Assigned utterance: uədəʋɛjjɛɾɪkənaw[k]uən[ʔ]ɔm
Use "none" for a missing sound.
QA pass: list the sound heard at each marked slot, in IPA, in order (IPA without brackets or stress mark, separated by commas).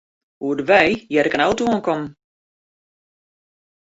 t, k